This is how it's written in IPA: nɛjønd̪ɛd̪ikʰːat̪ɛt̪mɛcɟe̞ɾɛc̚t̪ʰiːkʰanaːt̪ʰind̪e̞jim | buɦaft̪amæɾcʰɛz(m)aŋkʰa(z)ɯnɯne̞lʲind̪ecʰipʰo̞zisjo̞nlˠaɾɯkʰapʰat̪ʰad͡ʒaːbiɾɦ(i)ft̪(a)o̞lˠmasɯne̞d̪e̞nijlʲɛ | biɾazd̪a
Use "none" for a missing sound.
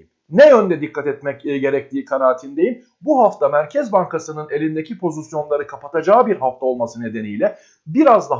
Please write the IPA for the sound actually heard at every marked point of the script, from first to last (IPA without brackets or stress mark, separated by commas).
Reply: b, s, a, a